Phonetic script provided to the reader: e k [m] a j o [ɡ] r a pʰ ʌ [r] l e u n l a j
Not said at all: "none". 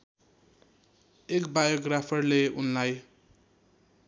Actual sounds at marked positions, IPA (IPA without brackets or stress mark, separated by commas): b, ɡ, r